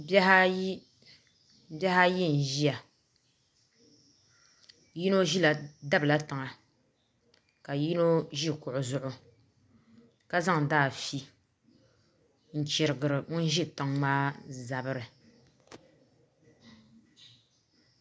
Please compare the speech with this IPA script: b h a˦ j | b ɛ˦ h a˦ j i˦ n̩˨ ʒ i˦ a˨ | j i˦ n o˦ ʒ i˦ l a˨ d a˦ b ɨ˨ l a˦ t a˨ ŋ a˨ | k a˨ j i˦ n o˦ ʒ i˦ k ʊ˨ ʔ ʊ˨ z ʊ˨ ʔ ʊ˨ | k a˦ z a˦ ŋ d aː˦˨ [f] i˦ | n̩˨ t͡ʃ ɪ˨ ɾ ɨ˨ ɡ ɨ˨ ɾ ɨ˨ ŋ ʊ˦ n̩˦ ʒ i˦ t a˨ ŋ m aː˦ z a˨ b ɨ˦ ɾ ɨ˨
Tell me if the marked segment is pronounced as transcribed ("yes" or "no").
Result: yes